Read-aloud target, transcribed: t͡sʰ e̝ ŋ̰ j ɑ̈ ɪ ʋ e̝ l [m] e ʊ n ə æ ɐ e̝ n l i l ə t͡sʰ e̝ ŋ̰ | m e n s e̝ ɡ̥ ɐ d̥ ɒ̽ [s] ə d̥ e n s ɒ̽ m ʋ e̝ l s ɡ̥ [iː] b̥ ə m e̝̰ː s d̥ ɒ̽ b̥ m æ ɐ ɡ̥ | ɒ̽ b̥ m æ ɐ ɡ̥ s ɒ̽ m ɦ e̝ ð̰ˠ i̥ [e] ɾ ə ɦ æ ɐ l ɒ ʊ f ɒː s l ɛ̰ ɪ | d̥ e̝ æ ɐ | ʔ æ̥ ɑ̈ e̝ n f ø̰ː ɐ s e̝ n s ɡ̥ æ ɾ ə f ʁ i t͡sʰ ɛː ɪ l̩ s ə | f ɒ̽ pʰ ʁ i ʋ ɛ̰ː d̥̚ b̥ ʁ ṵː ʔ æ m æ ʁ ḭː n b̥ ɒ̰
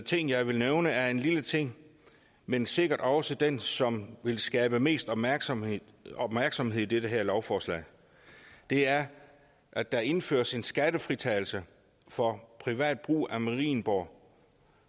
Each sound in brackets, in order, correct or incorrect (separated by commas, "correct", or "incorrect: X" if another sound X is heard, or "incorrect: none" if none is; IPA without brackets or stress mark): incorrect: n, correct, incorrect: ɛː, correct